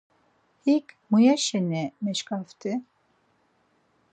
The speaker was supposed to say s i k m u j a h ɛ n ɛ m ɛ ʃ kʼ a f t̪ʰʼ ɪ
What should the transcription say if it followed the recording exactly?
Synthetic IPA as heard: h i k m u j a ʃ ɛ n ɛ m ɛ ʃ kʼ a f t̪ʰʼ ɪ